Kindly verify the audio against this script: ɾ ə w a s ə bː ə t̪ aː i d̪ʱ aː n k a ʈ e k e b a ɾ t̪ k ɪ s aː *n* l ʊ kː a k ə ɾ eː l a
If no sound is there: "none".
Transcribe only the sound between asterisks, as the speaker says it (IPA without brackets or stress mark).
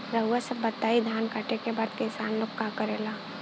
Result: n